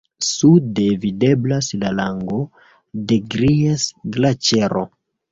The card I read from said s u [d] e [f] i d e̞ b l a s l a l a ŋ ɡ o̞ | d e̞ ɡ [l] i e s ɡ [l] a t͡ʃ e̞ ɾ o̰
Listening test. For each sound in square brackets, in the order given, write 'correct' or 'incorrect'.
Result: correct, incorrect: v, incorrect: ɾ, correct

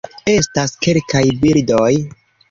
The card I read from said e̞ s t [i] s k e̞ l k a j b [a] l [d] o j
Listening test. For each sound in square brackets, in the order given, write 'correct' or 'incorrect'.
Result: incorrect: a, incorrect: i, correct

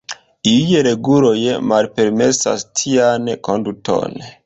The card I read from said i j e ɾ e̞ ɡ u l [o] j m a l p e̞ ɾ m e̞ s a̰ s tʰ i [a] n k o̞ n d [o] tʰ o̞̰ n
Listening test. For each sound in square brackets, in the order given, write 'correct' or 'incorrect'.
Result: correct, correct, incorrect: u

